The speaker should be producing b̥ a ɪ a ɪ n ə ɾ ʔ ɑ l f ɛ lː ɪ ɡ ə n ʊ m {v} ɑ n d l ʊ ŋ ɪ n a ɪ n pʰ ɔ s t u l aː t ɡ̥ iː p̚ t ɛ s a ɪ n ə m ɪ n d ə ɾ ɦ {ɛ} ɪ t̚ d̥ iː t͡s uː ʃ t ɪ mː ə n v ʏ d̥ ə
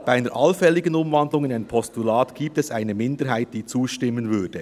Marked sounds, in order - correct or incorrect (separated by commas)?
correct, incorrect